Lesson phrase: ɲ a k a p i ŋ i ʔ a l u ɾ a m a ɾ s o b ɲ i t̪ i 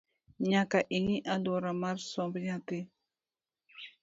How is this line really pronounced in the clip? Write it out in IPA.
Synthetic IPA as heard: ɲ a k a ʔ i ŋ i ʔ a l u ɾ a m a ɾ s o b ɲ a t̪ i